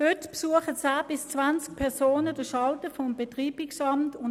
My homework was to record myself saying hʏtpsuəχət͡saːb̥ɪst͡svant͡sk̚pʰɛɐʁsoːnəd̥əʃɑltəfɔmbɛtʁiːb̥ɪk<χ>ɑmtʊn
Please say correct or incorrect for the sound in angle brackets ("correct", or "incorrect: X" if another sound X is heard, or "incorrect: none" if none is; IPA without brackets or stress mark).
incorrect: s